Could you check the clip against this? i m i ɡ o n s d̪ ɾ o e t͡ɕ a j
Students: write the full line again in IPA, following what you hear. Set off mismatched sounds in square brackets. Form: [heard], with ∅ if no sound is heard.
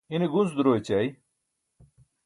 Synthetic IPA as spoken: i [n] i ɡ [u] n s d̪ ɾ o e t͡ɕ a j

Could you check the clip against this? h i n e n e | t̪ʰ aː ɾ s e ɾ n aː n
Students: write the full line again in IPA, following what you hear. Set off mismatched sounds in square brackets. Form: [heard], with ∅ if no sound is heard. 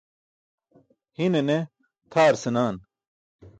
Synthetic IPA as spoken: h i n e n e | t̪ʰ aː ɾ s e [∅] n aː n

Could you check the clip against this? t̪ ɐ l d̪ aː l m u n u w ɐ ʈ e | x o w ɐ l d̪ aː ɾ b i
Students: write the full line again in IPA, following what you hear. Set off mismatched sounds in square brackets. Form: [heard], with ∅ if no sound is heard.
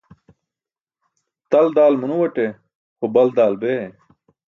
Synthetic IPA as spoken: t̪ ɐ l d̪ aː l m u n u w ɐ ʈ e | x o [b] ɐ l d̪ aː [l] b [e]

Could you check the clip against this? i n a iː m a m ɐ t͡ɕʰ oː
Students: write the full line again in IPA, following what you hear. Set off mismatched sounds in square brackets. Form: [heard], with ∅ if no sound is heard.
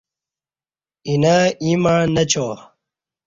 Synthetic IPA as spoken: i n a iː m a [n] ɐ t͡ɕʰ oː

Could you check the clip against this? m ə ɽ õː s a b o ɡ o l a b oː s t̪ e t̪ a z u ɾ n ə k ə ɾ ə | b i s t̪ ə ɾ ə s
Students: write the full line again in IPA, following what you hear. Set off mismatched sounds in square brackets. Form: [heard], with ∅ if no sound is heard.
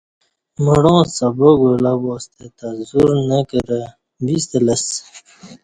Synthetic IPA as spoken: m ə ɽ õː s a b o ɡ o l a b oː s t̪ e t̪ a z u ɾ n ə k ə ɾ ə | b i s t̪ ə [l] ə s

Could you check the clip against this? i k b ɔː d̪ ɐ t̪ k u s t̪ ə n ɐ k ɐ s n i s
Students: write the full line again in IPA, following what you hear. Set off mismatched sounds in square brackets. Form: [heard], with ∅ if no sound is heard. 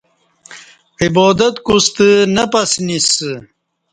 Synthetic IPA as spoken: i [∅] b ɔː d̪ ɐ t̪ k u s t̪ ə n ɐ [p] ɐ s n i s

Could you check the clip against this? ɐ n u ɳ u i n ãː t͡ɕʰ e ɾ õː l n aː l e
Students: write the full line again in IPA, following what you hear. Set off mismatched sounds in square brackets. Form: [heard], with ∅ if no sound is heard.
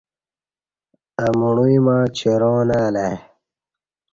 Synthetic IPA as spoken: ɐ [m] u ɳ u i [m] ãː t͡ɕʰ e ɾ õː [∅] n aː l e

